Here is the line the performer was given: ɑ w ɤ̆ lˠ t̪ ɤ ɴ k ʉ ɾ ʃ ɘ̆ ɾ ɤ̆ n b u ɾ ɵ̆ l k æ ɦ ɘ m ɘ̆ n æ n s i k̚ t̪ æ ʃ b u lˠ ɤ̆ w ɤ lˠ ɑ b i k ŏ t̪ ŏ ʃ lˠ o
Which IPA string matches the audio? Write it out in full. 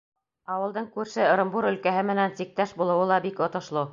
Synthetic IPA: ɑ w ɤ̆ lˠ d̪ ɤ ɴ k ʉ ɾ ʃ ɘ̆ ɾ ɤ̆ m b u ɾ ɵ̆ l k æ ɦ ɘ m ɘ̆ n æ n s i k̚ t̪ æ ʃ b u lˠ ɤ̆ w ɤ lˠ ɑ b i k ŏ t̪ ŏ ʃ lˠ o